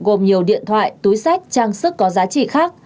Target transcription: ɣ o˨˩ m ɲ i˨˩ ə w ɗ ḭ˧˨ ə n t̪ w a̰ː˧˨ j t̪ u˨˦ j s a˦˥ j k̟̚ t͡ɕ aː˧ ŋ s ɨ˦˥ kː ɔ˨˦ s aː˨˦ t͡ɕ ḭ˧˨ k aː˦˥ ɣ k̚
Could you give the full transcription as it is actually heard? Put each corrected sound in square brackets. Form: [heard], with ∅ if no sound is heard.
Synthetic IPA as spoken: ɣ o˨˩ m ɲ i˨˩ ə w ɗ ḭ˧˨ ə n [t̪ʰ] w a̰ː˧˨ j t̪ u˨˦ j s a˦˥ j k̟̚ t͡ɕ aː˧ ŋ s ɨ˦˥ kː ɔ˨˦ [z] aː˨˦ t͡ɕ ḭ˧˨ [x] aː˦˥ [∅] k̚